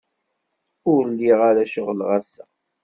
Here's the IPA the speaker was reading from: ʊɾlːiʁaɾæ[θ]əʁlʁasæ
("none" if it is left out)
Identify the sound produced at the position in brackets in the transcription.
ʃ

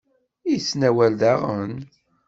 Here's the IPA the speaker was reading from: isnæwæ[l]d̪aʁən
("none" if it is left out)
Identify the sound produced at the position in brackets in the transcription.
l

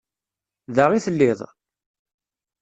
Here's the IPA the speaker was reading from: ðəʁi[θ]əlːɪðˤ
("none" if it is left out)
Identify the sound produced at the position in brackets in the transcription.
θ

